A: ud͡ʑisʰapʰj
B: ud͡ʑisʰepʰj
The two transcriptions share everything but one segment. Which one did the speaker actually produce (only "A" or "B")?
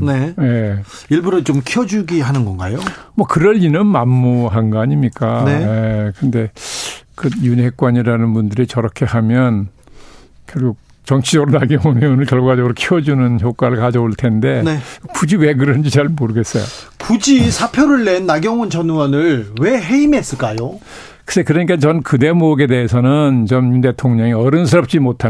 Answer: A